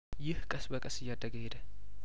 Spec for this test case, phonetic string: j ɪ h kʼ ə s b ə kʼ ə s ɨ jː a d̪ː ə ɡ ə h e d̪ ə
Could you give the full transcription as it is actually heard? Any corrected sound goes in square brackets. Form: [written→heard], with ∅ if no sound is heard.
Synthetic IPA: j ɪ h kʼ ə s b ə kʼ ə s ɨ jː a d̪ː ə ɡ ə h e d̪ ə